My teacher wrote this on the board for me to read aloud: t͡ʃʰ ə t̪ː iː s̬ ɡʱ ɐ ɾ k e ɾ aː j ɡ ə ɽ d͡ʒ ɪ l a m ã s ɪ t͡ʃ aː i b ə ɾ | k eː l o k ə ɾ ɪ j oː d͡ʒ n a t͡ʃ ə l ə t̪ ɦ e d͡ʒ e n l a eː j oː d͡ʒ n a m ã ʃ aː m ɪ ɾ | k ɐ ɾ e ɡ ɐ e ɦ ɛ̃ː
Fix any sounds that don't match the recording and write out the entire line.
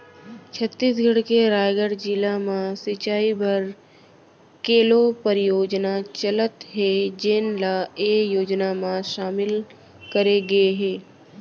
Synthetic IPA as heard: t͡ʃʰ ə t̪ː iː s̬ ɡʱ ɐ ɽ k e ɾ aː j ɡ ə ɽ d͡ʒ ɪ l a m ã s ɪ t͡ʃ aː i b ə ɾ | k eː l o p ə ɾ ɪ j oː d͡ʒ n a t͡ʃ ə l ə t̪ ɦ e d͡ʒ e n l a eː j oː d͡ʒ n a m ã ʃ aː m ɪ l | k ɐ ɾ e ɡ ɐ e ɦ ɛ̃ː